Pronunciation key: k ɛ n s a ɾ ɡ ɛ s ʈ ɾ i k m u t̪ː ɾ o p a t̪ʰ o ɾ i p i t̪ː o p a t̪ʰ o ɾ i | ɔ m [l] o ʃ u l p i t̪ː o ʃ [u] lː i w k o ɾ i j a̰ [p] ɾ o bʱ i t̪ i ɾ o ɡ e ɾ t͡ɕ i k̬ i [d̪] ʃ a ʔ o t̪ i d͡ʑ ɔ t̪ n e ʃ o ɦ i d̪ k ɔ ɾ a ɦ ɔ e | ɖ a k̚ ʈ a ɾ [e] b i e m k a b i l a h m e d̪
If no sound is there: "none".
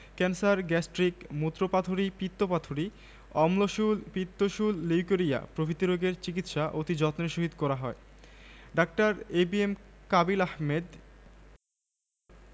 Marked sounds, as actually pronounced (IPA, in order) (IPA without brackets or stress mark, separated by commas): l, u, p, t̪, e